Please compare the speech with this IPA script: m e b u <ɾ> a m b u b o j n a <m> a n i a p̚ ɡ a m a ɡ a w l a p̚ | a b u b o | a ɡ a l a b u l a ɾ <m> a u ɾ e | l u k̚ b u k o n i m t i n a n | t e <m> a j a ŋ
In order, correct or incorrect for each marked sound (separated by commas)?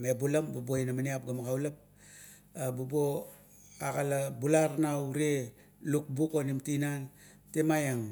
incorrect, correct, incorrect, correct